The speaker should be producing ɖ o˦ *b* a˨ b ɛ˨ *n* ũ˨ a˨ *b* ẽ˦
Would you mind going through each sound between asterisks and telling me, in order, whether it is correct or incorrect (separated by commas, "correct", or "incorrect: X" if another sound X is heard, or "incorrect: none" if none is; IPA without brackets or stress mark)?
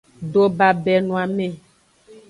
correct, correct, incorrect: m